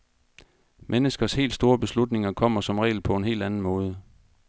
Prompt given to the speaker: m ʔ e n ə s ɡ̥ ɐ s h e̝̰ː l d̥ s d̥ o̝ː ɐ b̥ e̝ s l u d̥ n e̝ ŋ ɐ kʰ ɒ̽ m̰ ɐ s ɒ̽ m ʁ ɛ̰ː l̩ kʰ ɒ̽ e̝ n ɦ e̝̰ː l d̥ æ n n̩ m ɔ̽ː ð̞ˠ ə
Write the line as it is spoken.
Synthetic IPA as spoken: m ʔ e n ə s ɡ̥ ɐ s h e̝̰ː l d̥ s d̥ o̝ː ɐ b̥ e̝ s l u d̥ n e̝ ŋ ɐ kʰ ɒ̽ m̰ ɐ s ɒ̽ m ʁ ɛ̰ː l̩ pʰ ɒ̽ e̝ n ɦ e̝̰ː l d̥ æ n n̩ m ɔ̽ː ð̞ˠ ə